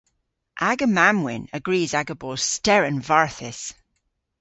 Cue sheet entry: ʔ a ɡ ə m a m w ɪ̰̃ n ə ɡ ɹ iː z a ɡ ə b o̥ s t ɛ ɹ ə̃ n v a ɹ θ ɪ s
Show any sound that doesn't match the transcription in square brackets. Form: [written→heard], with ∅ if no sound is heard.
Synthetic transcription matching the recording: ʔ a ɡ ə m a m w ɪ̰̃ n ə ɡ ɹ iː z a ɡ ə b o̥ s t ɛ ɹ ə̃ n v a ɹ θ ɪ s